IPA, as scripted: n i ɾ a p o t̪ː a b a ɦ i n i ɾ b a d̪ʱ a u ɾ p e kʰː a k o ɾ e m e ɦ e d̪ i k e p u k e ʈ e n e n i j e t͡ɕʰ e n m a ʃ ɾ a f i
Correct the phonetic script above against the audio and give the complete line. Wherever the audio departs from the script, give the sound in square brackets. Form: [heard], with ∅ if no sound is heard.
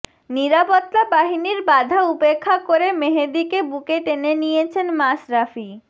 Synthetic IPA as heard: n i ɾ a p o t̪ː a b a ɦ i n i ɾ b a d̪ʱ a u [∅] p e kʰː a k o ɾ e m e ɦ e d̪ i k e [b] u k e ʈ e n e n i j e t͡ɕʰ e n m a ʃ ɾ a f i

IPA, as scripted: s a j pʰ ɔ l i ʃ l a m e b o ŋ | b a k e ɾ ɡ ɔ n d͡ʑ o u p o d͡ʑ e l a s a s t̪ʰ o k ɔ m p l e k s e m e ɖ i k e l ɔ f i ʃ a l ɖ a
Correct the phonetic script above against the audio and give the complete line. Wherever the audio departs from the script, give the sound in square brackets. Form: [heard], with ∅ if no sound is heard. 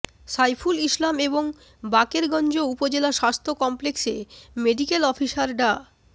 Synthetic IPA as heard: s a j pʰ [u] l i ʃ l a m e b o ŋ | b a k e ɾ ɡ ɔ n d͡ʑ o u p o d͡ʑ e l a [ʃ] a s t̪ʰ o k ɔ m p l e k s e m e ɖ i k e l ɔ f i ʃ a [ɾ] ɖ a

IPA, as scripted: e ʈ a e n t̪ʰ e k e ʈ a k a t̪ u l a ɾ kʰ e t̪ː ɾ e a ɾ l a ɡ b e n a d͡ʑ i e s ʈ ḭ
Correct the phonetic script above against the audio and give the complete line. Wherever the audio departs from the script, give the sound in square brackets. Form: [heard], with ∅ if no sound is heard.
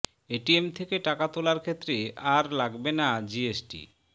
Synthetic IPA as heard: e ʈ [i] e [m] t̪ʰ e k e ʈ a k a t̪ [o] l a ɾ kʰ e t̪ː ɾ e a ɾ l a ɡ b e n a d͡ʑ i e s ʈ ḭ

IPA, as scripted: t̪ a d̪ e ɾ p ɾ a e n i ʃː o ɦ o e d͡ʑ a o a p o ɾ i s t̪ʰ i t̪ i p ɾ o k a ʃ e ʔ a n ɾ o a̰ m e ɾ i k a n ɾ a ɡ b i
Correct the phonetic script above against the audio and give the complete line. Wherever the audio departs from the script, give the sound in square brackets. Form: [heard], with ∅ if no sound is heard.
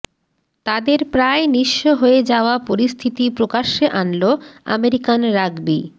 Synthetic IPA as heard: t̪ a d̪ e ɾ p ɾ a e n i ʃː o ɦ o e d͡ʑ a o a p o ɾ i s t̪ʰ i t̪ i p ɾ o k a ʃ e ʔ a n [l] o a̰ m e ɾ i k a n ɾ a ɡ b i

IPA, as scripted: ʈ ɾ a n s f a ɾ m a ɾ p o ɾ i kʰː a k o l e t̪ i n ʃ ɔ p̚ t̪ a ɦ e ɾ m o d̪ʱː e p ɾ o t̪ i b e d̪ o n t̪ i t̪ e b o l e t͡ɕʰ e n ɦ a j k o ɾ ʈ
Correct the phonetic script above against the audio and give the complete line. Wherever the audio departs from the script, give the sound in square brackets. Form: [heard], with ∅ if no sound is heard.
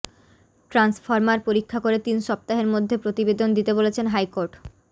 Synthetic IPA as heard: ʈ ɾ a n s f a ɾ m a ɾ p o ɾ i kʰː a k o [ɾ] e t̪ i n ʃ ɔ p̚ t̪ a ɦ e ɾ m o d̪ʱː e p ɾ o t̪ i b e d̪ o n [d̪] i t̪ e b o l e t͡ɕʰ e n ɦ a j k o ɾ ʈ

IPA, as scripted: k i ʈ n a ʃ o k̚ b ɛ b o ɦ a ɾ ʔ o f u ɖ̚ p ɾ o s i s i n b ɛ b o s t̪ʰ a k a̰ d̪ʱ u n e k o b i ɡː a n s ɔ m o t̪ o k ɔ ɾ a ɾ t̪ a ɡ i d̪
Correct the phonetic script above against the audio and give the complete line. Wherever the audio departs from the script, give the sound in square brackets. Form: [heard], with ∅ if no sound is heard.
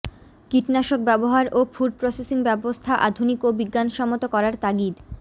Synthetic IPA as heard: k i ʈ n a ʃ o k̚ b ɛ b o ɦ a ɾ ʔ o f u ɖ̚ p ɾ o s [e] s i [ŋ] b ɛ b o s t̪ʰ a [ʔ] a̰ d̪ʱ u n [i] k o b i ɡː a n [ʃ] ɔ m o t̪ o k ɔ ɾ a ɾ t̪ a ɡ i d̪

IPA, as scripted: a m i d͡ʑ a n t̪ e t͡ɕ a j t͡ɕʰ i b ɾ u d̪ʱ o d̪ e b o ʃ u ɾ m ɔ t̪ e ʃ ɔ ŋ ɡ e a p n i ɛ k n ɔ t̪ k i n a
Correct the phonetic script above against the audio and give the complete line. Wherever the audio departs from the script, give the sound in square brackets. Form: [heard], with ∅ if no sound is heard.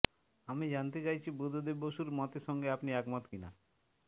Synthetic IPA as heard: a m i d͡ʑ a n t̪ e t͡ɕ a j t͡ɕʰ i b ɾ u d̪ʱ o d̪ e b o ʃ u ɾ m ɔ t̪ e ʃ ɔ ŋ ɡ e a p n i ɛ k [m] ɔ t̪ k i n a

